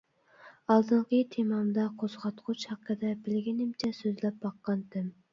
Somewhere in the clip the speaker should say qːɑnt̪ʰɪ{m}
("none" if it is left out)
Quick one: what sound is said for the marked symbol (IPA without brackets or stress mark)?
m